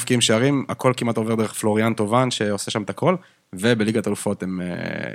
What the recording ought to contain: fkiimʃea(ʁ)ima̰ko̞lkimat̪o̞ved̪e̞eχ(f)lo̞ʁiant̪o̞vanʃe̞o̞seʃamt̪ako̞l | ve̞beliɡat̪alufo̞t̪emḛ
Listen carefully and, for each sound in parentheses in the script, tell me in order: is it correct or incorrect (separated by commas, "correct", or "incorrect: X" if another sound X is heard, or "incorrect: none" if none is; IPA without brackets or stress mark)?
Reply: correct, correct